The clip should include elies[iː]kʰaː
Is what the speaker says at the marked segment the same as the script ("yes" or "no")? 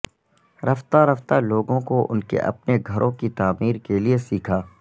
yes